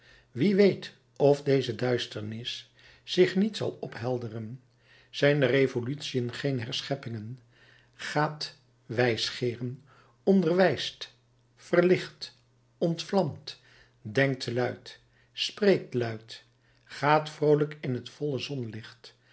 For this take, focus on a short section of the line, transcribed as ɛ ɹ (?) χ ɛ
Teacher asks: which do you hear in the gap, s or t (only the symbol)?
s